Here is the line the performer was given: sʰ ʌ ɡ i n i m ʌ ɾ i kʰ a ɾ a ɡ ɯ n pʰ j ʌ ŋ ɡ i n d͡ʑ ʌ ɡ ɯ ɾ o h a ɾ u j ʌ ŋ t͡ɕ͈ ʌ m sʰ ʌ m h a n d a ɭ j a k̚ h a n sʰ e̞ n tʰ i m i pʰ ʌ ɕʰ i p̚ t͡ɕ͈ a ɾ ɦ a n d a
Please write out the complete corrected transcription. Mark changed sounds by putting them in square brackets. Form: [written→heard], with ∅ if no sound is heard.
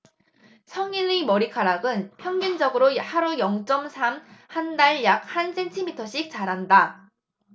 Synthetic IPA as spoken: sʰ ʌ [ɡ→ŋ] i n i m ʌ ɾ i kʰ a ɾ a ɡ ɯ n pʰ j ʌ ŋ ɡ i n d͡ʑ ʌ ɡ ɯ ɾ o h a ɾ u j ʌ ŋ t͡ɕ͈ ʌ m sʰ [ʌ→a] m h a n d a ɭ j a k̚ h a n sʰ e̞ n tʰ i m i [pʰ→tʰ] ʌ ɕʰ i [p̚→k̚] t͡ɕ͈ a ɾ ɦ a n d a